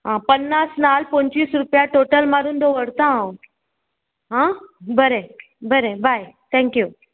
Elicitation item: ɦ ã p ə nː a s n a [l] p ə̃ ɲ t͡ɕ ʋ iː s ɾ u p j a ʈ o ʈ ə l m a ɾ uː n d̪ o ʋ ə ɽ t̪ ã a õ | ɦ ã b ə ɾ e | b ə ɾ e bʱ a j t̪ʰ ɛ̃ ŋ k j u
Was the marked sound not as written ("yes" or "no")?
no